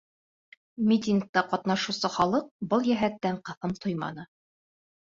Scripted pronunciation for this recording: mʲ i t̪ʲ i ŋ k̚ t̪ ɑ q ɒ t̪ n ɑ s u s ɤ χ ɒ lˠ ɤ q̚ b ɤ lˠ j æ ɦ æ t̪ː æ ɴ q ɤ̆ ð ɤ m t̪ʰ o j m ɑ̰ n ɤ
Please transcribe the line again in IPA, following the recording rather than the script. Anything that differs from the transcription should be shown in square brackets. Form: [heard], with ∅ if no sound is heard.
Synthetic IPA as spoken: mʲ i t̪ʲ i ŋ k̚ t̪ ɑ q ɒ t̪ n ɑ [ʃ] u s ɤ χ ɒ lˠ ɤ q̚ b ɤ lˠ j æ ɦ æ t̪ː æ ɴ q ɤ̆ [θ] ɤ m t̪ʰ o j m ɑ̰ n ɤ